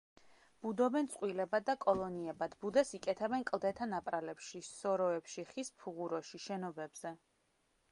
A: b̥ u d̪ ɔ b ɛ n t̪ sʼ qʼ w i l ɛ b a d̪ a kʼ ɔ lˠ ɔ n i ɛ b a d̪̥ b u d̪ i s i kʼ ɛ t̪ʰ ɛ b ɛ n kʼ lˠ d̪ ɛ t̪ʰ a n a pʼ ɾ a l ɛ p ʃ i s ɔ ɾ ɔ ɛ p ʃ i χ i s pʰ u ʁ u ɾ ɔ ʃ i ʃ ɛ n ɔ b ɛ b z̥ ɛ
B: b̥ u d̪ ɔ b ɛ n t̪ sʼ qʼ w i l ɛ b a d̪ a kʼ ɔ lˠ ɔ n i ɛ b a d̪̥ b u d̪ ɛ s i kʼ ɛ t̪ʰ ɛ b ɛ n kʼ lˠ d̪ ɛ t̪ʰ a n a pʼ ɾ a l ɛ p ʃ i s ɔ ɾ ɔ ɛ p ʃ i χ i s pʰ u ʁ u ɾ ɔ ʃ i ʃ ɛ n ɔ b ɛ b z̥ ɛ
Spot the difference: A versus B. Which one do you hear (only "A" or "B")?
B